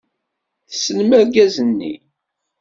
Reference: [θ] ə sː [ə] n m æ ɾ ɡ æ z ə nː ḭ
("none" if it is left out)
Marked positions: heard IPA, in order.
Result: θ, ə

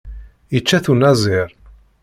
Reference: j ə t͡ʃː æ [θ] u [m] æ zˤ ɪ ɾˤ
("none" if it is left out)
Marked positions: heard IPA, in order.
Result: θ, n

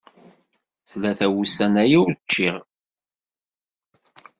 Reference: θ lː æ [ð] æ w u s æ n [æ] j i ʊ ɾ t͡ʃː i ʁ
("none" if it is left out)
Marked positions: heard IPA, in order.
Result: θ, æ

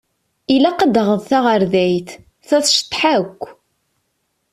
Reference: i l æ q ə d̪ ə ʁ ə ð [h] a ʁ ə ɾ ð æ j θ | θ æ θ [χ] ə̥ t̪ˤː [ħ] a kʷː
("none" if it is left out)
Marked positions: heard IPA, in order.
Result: θ, ʃ, ħ

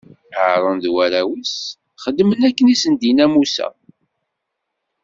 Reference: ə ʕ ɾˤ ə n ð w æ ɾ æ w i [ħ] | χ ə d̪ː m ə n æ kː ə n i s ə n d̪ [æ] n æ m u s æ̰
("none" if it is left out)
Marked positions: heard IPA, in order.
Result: s, i

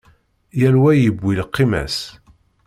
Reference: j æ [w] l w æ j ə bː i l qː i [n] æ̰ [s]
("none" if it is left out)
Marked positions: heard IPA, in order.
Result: none, m, s

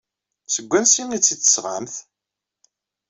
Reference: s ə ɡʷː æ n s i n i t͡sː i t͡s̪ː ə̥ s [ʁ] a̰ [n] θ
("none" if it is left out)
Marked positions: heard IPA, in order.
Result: ʁ, m

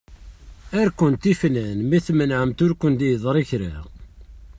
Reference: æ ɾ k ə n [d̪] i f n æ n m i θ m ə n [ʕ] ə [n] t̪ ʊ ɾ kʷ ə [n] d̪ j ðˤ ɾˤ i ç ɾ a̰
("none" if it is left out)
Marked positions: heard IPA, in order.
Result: t̪, ʕ, m, n

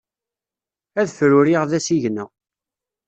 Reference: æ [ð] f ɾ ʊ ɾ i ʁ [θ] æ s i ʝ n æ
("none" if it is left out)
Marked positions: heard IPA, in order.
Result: ð, ð

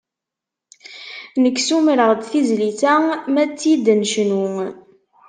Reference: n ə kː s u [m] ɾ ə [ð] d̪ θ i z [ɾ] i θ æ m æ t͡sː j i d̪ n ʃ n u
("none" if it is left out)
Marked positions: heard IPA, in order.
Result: m, ʁ, l

